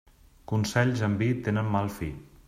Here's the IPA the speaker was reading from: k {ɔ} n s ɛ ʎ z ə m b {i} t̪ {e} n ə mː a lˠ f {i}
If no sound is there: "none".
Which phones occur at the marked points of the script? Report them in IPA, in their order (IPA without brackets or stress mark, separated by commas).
u, i, e, i